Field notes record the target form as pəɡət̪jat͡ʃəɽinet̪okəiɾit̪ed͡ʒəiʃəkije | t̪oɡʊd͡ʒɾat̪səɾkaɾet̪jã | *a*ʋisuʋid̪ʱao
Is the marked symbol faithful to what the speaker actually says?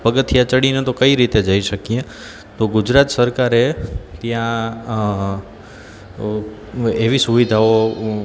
no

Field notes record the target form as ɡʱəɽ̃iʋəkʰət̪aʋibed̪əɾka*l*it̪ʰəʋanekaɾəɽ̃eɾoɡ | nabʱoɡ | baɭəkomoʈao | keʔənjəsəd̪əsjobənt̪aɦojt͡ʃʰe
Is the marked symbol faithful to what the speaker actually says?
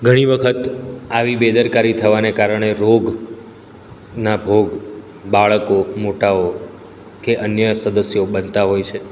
no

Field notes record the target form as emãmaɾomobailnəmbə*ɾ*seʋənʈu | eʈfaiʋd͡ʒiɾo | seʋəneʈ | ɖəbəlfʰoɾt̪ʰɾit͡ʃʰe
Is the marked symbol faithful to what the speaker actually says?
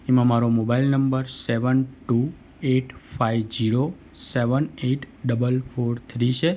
yes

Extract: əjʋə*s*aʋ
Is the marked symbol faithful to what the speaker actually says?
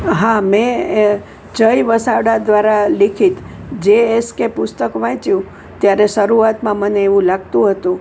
yes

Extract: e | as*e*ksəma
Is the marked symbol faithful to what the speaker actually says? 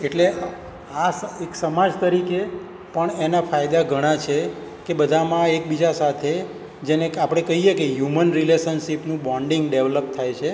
yes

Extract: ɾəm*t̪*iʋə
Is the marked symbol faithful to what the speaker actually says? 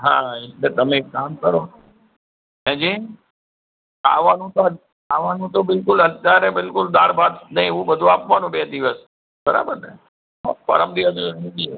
no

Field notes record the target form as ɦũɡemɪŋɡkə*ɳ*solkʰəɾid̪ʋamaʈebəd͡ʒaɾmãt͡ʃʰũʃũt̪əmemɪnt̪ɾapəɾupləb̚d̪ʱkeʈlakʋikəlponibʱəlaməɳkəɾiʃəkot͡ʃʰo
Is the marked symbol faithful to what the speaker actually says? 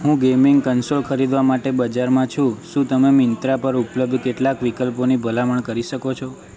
no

